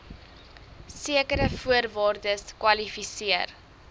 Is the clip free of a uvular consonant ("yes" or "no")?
yes